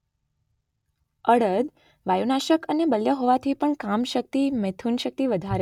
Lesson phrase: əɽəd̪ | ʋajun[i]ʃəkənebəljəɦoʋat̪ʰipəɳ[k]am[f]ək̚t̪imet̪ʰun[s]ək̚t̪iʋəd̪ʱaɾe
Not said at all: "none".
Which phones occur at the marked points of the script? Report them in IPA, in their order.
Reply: a, k, ʃ, ʃ

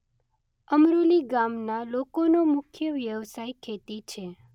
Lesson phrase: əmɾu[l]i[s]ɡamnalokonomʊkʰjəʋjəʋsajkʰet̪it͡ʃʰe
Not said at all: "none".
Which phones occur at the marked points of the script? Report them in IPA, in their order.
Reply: l, none

